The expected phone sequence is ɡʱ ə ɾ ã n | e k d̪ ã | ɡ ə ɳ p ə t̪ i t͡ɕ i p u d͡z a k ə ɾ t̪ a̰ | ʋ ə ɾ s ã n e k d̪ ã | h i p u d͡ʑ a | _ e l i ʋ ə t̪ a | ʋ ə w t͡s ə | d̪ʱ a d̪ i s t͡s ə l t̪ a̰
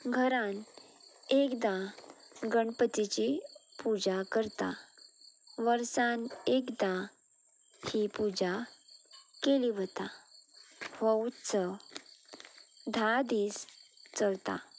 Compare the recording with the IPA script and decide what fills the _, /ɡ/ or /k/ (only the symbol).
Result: k